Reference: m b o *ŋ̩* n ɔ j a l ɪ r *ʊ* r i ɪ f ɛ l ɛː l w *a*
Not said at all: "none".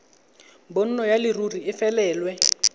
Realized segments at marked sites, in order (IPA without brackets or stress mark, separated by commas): n̩, u, ɛ